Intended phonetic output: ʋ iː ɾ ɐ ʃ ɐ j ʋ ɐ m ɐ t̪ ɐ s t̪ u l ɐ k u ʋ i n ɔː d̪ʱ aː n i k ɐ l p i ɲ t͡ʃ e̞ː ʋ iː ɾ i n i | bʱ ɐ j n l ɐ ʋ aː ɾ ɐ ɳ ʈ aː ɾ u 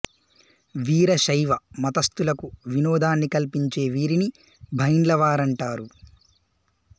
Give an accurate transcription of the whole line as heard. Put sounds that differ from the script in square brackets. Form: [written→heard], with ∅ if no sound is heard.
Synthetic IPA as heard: ʋ iː ɾ ɐ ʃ ɐ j ʋ ɐ m ɐ t̪ ɐ s t̪ u l ɐ k u ʋ i n ɔː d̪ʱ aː [n→nː] i k ɐ l p i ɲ t͡ʃ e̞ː ʋ iː ɾ i n i | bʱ ɐ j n l ɐ ʋ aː ɾ ɐ ɳ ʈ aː ɾ u